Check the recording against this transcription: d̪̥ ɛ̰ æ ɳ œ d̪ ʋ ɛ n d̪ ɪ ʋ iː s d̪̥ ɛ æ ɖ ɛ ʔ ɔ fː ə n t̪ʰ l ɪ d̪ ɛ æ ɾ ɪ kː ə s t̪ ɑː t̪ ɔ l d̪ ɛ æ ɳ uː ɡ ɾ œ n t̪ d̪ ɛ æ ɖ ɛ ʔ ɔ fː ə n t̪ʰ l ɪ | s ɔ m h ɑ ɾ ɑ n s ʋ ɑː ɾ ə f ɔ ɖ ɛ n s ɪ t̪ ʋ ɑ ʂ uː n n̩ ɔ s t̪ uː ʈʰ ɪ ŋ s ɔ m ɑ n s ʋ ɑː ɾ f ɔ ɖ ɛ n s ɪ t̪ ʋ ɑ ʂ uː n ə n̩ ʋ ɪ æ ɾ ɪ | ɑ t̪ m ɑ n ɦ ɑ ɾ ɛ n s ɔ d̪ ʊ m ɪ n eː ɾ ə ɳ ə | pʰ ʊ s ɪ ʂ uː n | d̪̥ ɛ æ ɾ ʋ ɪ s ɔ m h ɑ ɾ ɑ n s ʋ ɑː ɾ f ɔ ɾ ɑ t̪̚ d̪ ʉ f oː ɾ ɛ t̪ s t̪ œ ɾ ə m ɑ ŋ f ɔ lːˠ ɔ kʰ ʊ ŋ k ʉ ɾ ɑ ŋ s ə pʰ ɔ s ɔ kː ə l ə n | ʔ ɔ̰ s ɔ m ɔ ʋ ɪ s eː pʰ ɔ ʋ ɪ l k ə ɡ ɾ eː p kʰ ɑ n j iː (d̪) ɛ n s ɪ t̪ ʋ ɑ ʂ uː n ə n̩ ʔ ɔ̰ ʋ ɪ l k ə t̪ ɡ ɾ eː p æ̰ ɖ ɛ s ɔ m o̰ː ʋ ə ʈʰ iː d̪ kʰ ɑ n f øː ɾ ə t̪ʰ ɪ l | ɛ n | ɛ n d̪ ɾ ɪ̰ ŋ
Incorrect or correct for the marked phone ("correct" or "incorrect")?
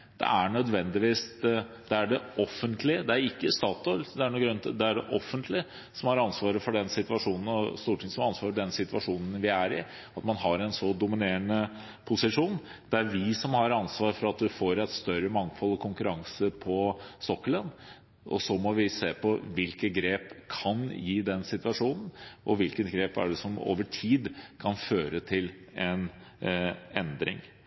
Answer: correct